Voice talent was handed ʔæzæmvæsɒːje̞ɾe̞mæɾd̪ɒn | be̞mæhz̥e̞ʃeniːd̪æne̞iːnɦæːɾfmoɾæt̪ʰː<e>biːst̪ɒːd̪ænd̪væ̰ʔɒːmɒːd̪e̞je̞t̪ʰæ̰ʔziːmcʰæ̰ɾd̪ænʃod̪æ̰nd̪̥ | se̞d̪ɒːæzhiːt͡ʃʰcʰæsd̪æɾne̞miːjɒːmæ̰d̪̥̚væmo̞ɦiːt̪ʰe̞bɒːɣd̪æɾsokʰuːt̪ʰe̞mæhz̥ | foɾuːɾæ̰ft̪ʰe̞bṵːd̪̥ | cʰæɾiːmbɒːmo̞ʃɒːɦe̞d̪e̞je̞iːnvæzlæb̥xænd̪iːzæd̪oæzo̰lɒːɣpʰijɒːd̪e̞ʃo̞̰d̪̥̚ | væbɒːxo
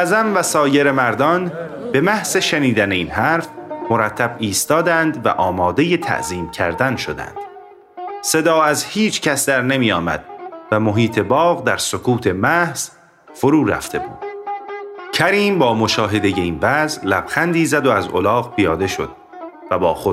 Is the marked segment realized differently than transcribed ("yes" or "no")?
yes